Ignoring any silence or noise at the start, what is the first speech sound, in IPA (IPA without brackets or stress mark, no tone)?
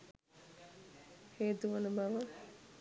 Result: h